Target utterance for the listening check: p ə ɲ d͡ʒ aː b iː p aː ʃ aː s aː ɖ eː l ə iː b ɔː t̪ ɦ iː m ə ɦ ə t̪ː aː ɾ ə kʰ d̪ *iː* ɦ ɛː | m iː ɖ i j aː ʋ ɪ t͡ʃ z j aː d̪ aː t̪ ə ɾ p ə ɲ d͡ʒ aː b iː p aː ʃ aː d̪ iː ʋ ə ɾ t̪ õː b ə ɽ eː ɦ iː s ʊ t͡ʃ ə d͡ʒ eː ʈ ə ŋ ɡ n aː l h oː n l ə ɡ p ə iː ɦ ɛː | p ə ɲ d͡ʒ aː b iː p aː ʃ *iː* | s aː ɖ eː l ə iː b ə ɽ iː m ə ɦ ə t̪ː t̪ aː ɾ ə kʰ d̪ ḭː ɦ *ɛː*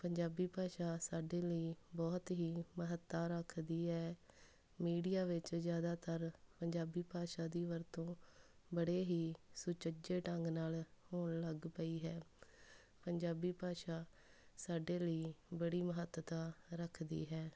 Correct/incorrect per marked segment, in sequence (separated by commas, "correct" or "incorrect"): correct, incorrect, correct